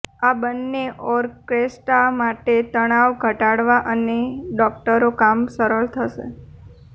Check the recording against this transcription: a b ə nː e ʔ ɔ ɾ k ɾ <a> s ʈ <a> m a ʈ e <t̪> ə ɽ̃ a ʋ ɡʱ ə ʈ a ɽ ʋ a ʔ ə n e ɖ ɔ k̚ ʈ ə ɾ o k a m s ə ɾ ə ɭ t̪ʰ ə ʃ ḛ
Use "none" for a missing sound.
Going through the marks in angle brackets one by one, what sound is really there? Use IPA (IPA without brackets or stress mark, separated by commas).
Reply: e, a, t̪